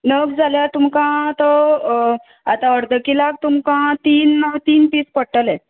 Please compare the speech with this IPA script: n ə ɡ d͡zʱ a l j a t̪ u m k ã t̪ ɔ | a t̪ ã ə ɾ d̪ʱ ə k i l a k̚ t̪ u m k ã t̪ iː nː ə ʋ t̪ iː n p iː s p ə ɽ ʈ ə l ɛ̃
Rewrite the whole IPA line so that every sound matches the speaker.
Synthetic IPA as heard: n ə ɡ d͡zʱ a l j a t̪ u m k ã t̪ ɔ | a t̪ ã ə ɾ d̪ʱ ə k i l a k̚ t̪ u m k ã t̪ iː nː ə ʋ t̪ iː n p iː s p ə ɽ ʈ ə l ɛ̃